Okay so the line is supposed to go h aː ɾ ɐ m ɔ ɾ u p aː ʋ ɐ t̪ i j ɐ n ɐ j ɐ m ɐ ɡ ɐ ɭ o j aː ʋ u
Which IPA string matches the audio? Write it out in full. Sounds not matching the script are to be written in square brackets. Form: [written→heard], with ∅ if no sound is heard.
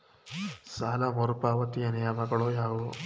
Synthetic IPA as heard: [h→s] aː [ɾ→l] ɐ m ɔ ɾ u p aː ʋ ɐ t̪ i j ɐ n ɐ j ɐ m ɐ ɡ ɐ ɭ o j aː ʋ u